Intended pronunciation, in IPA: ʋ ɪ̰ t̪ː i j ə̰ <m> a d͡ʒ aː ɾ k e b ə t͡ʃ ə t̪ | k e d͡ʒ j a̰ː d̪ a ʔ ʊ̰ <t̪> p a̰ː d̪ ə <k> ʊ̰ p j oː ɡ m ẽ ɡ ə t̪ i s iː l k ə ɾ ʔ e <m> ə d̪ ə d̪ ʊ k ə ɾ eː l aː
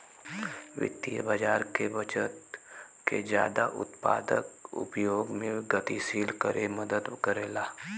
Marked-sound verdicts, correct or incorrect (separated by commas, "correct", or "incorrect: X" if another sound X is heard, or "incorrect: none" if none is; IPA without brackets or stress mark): incorrect: b, correct, correct, correct